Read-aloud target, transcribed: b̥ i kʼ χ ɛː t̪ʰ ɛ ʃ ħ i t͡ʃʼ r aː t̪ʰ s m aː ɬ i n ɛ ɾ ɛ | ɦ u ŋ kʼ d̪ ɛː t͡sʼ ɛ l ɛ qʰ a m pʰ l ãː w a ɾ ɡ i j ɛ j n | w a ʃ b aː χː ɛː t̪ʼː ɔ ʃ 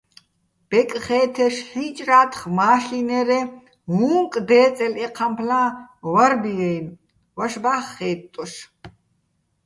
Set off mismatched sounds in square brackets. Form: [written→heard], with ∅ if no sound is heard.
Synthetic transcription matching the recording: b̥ [i→ɛ] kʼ χ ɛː t̪ʰ ɛ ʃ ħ i t͡ʃʼ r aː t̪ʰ [s→χ] m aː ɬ i n ɛ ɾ ɛ | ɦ u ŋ kʼ d̪ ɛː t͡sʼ ɛ l ɛ qʰ a m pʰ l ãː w a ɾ [ɡ→b] i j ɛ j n | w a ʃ b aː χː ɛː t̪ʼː ɔ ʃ